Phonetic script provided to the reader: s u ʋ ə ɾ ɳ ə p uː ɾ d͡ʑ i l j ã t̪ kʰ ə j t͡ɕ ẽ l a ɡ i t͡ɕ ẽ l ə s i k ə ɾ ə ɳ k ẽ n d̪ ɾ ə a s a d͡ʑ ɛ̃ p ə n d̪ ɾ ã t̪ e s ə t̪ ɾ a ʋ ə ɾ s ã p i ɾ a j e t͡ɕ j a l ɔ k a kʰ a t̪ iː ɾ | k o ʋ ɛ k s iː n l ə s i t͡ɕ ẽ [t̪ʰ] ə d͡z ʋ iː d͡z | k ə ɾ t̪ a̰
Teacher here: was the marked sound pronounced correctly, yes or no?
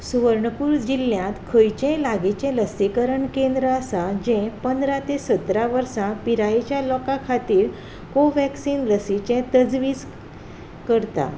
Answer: no